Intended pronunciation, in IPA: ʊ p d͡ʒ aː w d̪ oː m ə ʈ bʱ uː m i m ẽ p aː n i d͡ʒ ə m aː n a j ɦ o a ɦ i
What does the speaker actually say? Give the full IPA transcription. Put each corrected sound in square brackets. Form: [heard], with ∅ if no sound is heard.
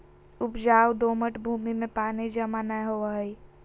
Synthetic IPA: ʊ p d͡ʒ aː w d̪ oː m ə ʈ bʱ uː m i m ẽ p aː n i d͡ʒ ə m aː n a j ɦ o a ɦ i